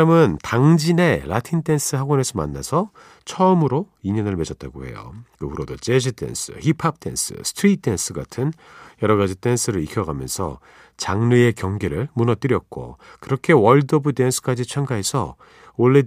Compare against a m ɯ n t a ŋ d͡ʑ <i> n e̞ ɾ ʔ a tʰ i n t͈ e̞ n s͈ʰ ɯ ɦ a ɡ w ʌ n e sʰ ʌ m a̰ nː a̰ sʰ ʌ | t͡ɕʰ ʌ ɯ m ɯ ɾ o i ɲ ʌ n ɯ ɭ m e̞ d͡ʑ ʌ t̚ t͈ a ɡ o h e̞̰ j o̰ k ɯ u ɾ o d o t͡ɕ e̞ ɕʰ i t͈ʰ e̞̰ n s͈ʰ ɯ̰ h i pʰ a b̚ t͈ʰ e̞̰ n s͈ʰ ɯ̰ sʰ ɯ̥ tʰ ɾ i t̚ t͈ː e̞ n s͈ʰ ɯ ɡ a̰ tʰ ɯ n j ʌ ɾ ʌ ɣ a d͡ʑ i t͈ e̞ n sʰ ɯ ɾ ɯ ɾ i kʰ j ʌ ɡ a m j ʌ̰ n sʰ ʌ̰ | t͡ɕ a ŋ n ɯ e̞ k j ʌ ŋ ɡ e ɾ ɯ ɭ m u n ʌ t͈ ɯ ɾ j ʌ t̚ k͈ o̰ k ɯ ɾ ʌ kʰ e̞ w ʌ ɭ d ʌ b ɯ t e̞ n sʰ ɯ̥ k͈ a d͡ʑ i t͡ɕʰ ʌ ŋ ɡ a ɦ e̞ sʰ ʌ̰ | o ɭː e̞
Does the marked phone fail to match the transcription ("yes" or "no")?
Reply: no